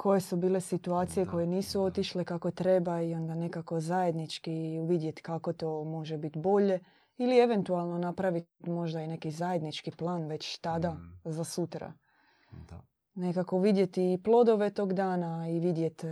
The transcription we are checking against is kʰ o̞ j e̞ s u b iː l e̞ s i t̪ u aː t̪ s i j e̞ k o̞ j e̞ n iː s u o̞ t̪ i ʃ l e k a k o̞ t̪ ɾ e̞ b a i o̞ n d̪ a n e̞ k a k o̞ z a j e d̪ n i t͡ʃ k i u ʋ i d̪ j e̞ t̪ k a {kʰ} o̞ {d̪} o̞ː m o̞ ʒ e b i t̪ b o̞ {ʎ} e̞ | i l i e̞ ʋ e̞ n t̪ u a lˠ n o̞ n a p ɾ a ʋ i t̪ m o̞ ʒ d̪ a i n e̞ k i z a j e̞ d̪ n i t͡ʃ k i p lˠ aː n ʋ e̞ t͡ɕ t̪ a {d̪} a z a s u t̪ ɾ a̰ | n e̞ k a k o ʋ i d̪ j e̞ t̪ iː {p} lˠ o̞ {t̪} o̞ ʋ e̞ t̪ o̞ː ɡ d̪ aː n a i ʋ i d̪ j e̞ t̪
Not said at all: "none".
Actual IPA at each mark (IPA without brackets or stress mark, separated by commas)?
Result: k, t̪, ʎ, d̪, p, d̪